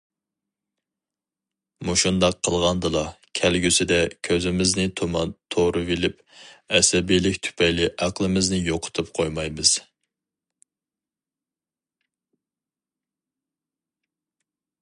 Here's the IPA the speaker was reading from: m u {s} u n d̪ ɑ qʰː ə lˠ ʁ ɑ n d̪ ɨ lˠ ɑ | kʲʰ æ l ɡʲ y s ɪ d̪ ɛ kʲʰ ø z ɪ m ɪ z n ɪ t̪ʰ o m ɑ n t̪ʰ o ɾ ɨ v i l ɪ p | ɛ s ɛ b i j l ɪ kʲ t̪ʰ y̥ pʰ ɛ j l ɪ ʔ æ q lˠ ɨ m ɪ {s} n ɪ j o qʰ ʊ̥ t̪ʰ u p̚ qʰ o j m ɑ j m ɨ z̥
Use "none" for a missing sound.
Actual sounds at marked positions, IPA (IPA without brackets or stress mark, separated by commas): ʃ, z